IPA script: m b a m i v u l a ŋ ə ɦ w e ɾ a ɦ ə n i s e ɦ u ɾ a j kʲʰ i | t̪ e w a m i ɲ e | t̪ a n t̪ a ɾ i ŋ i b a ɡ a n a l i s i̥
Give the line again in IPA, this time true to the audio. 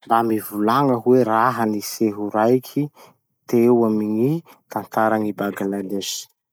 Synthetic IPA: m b a m i v u l a ŋ ə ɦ w e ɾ a ɦ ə n i s e ɦ u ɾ a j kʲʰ i | t̪ e w a m i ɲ i | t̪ a n t̪ a ɾ a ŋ i b a ɡ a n a l e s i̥